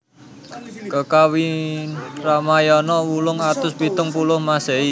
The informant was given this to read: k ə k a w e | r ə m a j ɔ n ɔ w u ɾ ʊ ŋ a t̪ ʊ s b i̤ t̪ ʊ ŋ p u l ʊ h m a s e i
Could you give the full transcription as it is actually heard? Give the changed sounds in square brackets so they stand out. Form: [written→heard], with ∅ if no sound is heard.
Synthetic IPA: k ə k a w [e→i] | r [ə→a] m a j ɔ n ɔ w u [ɾ→l] ʊ ŋ a t̪ ʊ s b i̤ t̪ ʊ ŋ p u l ʊ h m a s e i